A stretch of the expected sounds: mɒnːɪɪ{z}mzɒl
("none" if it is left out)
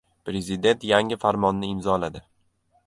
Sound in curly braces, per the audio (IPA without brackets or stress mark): none